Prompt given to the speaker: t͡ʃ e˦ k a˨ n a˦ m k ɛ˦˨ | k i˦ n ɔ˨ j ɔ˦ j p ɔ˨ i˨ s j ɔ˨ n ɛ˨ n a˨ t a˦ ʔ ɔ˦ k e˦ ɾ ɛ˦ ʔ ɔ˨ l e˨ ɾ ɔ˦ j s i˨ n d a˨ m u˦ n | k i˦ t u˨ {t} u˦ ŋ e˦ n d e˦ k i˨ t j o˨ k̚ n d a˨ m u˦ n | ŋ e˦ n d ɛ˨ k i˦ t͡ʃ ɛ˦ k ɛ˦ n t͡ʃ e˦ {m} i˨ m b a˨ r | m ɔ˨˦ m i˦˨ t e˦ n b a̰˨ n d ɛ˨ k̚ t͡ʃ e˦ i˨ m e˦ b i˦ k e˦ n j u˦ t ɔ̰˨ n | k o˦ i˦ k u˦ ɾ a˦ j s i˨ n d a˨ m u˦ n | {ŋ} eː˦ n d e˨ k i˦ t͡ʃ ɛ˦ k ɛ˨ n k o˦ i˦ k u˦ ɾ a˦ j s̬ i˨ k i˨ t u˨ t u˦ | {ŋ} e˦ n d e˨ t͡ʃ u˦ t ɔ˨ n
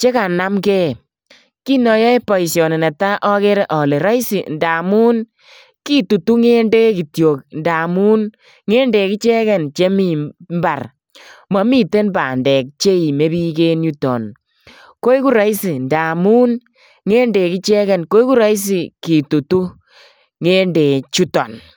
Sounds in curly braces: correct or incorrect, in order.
correct, correct, correct, correct

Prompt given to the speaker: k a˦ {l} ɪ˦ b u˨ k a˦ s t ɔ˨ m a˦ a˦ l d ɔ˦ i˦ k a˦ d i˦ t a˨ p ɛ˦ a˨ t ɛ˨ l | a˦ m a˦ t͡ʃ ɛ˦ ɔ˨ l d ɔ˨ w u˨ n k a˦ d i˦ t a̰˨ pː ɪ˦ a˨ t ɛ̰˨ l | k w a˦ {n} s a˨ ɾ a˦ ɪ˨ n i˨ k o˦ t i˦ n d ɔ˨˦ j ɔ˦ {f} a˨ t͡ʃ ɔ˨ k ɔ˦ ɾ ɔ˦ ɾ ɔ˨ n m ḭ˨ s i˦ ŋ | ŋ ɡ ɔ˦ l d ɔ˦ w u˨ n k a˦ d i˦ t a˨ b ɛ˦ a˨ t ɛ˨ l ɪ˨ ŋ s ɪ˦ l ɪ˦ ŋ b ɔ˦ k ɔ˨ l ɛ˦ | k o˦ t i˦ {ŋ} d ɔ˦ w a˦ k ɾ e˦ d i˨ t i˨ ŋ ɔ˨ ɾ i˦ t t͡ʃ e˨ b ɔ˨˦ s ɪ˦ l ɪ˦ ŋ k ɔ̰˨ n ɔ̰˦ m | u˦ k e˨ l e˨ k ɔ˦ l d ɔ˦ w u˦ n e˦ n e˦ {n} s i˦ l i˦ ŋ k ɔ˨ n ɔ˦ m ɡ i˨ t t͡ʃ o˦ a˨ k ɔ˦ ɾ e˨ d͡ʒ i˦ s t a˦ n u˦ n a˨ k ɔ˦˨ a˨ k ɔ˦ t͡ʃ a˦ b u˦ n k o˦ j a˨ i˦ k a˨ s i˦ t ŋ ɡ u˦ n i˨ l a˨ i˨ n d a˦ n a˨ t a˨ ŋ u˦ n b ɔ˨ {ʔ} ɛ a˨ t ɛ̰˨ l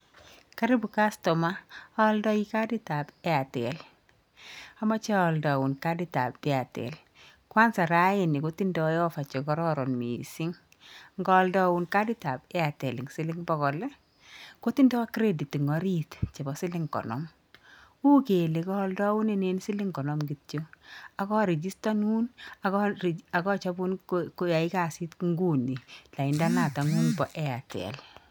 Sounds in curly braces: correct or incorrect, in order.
incorrect: ɾ, correct, correct, incorrect: n, correct, correct

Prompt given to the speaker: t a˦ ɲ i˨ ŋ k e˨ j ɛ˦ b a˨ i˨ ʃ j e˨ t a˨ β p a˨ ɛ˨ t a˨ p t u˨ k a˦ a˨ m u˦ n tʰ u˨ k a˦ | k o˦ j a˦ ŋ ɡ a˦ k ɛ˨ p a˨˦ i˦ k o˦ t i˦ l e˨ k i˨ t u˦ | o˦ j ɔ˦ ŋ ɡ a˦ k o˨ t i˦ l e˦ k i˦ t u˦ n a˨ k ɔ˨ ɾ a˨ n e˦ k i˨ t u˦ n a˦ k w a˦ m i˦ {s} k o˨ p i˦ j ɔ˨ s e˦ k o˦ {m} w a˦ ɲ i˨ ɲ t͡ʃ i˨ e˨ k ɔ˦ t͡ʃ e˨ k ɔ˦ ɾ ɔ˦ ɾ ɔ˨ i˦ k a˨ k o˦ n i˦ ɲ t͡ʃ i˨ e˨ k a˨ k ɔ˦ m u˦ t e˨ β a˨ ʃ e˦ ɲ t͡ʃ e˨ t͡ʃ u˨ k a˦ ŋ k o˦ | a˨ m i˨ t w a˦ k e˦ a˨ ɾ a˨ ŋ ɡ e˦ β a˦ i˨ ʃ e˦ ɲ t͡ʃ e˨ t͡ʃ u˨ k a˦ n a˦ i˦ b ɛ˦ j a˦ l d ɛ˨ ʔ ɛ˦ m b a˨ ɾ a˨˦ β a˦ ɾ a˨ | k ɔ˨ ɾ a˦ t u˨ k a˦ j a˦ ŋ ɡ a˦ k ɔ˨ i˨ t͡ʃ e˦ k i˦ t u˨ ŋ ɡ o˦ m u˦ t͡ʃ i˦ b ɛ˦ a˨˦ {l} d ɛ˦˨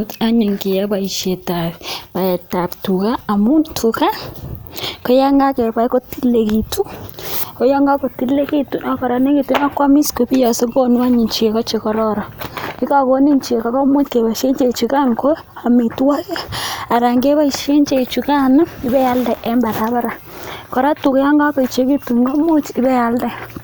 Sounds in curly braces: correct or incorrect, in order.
correct, incorrect: n, correct

